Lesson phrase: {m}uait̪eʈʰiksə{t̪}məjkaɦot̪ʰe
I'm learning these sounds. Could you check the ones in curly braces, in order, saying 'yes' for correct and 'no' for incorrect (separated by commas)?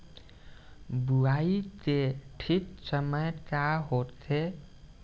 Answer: no, no